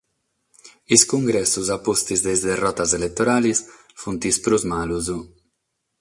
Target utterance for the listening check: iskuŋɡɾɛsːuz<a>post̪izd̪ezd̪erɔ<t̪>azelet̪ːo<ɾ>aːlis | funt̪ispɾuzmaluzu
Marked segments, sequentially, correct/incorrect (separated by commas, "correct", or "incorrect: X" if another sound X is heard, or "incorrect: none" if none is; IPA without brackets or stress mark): correct, correct, correct